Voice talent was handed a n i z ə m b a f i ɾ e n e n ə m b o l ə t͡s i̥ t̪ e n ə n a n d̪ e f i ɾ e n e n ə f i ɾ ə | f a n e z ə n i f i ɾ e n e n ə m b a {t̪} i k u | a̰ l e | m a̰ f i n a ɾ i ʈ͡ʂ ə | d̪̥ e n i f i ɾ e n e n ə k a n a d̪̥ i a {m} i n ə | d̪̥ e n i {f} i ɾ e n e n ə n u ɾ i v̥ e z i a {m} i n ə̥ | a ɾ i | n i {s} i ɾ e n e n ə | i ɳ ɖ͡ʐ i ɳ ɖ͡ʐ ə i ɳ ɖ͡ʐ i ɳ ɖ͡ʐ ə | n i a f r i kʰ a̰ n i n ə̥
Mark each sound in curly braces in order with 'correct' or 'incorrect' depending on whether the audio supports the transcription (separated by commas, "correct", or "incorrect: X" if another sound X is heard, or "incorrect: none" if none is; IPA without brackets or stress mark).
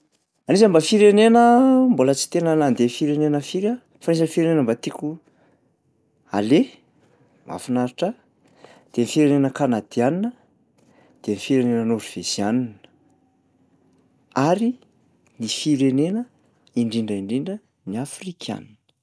correct, incorrect: n, correct, incorrect: n, incorrect: f